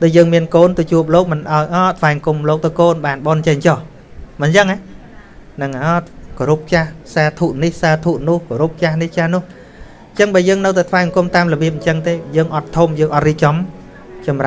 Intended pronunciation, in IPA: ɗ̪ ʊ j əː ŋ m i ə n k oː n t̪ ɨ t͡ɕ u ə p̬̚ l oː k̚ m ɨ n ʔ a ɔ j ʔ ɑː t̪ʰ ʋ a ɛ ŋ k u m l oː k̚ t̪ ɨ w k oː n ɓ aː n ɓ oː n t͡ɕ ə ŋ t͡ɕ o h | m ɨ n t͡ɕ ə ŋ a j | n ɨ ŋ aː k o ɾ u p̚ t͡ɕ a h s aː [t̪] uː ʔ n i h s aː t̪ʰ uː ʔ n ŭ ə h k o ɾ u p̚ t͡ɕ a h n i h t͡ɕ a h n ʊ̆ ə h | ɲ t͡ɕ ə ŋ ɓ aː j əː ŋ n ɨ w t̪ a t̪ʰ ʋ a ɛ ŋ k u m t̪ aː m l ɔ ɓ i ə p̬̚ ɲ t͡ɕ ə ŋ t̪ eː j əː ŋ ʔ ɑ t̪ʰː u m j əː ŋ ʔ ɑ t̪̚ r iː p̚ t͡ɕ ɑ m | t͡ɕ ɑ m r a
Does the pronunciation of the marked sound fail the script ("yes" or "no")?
yes